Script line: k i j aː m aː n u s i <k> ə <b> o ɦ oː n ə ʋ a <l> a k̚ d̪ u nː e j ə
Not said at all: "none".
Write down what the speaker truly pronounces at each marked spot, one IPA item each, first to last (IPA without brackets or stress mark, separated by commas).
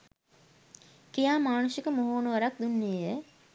k, m, ɾ